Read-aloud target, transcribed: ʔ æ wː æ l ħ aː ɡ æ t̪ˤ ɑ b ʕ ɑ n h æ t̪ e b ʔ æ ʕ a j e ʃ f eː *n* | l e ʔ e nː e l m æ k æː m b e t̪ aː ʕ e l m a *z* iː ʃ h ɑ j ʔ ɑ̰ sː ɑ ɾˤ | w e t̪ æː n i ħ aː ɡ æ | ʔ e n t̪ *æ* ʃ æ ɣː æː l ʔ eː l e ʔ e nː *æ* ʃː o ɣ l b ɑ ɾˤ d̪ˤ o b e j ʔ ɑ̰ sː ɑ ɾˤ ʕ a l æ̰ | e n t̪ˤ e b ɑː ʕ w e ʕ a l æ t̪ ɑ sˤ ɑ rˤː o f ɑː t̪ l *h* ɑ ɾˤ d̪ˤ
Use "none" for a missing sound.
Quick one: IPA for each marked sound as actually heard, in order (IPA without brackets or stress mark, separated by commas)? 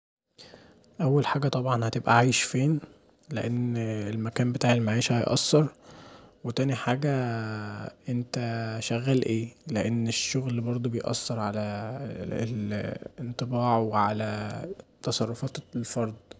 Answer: n, ʕ, æ, e, f